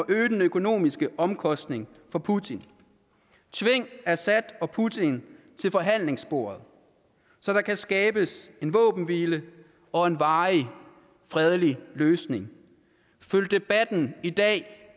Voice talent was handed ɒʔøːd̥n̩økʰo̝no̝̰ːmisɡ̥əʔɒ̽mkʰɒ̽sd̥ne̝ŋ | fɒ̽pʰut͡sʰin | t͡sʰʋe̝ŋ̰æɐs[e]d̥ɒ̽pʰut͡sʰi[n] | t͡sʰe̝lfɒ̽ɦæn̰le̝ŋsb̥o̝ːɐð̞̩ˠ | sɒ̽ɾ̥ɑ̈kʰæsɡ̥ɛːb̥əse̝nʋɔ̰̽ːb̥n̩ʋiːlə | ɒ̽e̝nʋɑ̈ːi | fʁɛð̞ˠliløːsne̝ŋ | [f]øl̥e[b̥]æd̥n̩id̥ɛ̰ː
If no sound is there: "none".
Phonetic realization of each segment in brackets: æ, n, f, b̥

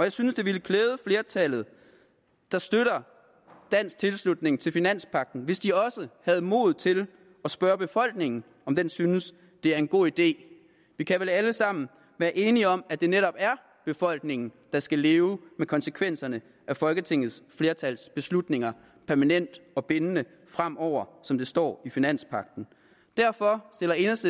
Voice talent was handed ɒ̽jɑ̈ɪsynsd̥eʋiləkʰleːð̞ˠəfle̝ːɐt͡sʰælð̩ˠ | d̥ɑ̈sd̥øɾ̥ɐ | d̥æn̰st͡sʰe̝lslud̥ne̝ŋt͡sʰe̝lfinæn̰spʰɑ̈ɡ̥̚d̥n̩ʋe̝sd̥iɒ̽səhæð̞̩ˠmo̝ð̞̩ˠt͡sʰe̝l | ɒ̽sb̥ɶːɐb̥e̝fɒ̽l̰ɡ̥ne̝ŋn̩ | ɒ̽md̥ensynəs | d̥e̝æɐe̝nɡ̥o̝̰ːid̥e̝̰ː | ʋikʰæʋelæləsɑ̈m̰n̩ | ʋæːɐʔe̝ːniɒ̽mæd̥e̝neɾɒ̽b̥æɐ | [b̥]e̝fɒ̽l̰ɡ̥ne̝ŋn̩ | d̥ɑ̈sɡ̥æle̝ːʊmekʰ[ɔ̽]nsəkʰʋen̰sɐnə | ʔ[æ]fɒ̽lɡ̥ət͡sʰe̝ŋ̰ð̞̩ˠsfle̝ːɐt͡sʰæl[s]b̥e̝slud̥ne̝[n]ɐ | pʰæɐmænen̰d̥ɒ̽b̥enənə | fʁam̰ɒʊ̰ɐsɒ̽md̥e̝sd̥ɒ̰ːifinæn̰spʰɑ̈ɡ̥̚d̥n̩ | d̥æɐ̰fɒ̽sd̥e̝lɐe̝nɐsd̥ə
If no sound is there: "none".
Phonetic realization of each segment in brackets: b̥, ɒ̽, æ, s, ŋ

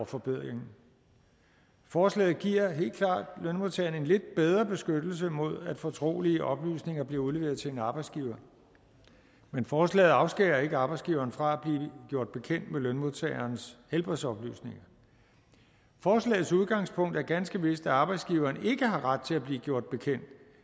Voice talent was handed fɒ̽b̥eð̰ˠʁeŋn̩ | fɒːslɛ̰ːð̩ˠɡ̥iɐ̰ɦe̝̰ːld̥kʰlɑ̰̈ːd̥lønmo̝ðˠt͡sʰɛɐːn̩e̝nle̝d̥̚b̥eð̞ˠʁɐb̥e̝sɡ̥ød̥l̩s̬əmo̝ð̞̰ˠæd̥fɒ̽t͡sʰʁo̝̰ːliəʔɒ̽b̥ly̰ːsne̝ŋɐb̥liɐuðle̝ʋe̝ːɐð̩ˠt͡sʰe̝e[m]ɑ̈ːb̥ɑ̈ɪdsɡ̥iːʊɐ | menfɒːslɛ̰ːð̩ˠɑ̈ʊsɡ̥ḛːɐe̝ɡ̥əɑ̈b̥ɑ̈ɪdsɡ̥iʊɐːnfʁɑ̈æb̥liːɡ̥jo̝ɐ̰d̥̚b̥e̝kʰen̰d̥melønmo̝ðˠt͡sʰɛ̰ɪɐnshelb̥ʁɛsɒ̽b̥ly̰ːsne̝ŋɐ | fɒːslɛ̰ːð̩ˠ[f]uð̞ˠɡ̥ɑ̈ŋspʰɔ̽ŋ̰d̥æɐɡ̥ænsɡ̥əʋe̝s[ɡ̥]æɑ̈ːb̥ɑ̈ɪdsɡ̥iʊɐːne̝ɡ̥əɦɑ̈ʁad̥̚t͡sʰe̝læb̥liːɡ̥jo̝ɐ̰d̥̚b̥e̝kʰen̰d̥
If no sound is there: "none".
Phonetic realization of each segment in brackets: n, s, d̥

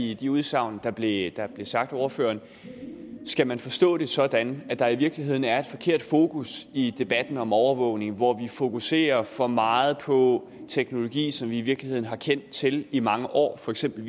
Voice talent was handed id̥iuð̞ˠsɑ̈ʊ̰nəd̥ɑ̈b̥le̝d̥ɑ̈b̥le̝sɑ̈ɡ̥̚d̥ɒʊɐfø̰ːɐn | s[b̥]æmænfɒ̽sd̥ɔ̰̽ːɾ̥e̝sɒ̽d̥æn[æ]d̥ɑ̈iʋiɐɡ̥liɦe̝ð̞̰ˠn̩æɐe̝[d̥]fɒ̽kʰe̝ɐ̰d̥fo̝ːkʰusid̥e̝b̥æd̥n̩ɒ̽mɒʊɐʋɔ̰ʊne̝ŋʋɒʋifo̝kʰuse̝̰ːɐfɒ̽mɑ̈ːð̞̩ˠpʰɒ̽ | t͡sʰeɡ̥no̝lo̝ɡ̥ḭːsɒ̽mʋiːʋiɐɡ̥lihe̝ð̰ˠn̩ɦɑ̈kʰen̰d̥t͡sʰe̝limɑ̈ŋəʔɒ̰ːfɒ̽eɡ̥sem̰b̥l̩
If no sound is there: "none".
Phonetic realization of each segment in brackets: ɡ̥, æ, d̥

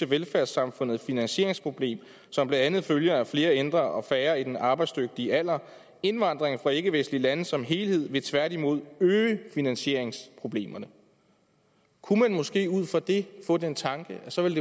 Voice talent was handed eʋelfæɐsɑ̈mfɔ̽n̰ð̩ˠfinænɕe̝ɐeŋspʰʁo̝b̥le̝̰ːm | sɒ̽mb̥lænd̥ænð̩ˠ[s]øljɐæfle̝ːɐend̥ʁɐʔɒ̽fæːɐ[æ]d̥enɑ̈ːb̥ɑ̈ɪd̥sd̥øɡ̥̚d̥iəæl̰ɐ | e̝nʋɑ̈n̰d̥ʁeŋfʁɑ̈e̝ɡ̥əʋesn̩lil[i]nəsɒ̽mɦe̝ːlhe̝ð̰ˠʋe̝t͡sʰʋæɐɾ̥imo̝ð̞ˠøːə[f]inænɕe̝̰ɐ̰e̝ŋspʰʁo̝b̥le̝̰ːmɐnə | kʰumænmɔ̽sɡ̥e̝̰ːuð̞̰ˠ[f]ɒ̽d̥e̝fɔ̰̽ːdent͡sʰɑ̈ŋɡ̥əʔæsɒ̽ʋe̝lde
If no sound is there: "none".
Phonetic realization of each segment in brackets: f, i, æ, f, f

